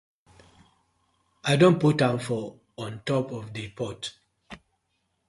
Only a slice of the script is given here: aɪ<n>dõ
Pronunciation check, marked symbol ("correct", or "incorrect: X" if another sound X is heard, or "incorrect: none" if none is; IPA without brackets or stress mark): incorrect: none